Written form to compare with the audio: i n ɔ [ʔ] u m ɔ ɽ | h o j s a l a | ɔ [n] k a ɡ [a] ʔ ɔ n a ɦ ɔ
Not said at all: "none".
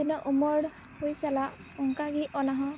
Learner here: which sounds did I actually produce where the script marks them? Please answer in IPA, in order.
ʔ, ŋ, i

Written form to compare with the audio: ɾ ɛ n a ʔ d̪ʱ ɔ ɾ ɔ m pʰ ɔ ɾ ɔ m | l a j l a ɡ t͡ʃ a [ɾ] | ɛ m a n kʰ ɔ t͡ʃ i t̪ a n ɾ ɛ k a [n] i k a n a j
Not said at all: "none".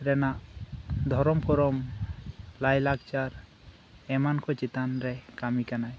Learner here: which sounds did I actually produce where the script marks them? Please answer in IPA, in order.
ɾ, m

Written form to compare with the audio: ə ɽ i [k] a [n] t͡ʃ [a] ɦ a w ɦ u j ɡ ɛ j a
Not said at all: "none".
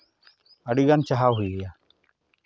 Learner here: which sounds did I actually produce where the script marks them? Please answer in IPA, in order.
ɡ, n, a

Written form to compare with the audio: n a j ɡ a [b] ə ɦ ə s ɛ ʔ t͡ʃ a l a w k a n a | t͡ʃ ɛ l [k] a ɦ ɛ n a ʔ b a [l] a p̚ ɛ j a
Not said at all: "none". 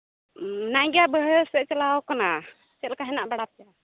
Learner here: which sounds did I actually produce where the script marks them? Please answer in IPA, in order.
b, k, ɽ

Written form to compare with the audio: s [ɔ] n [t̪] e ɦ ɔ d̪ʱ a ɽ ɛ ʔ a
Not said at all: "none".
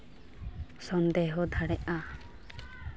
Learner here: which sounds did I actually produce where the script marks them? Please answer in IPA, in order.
ɔ, d̪

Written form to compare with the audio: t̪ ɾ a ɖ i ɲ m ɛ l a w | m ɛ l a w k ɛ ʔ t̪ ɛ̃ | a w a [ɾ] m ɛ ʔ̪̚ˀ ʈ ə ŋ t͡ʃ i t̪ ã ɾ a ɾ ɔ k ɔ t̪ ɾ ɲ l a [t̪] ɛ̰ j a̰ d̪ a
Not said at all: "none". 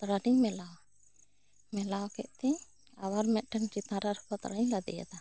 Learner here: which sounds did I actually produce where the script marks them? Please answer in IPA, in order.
ɾ, d̪

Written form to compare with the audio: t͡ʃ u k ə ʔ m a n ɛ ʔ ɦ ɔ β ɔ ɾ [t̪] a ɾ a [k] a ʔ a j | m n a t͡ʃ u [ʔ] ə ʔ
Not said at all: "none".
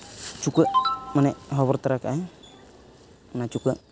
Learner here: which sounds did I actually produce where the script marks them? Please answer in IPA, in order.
t̪, k, k

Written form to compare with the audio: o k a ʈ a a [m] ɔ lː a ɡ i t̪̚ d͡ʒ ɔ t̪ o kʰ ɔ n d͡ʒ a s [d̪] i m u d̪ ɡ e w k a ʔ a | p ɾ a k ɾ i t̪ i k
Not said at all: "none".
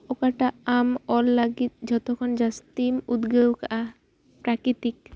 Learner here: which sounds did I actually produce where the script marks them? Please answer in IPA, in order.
m, t̪

